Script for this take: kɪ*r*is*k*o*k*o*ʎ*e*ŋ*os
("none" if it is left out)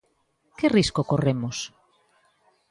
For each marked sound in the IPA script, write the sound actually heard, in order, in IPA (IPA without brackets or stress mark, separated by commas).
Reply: r, k, k, r, m